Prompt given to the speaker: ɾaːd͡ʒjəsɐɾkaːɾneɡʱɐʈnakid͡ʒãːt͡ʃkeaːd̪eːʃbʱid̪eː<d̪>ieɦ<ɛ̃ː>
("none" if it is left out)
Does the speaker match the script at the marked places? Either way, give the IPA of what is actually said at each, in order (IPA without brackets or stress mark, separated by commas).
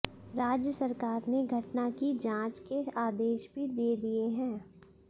d̪, ɛ̃ː